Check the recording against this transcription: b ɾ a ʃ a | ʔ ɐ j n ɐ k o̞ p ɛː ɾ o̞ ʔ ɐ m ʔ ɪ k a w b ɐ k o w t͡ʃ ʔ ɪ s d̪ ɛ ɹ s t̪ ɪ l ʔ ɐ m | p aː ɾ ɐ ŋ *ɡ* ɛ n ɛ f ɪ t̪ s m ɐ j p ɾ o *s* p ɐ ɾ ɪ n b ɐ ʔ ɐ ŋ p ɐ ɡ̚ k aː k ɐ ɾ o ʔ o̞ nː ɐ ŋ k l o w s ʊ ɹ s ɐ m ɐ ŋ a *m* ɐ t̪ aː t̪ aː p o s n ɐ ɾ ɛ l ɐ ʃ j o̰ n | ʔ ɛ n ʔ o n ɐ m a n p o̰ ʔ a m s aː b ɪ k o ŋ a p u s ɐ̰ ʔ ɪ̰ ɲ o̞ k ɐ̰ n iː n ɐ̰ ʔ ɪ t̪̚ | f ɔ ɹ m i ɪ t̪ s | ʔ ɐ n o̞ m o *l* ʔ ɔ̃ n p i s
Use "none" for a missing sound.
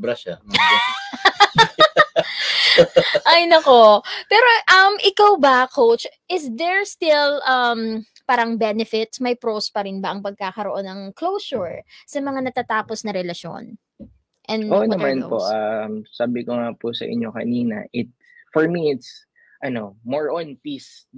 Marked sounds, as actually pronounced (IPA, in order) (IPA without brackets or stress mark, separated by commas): b, s, n, ɹ